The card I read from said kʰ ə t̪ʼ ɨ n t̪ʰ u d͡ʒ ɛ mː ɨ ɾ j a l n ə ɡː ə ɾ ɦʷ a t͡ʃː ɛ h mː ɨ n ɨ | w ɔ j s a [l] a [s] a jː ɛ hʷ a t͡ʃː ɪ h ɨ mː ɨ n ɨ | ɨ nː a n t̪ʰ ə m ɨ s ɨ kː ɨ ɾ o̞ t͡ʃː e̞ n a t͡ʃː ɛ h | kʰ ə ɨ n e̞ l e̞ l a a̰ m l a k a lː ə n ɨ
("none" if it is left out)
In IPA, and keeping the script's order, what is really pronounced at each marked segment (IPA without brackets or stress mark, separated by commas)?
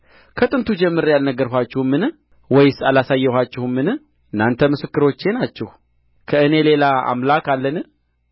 l, s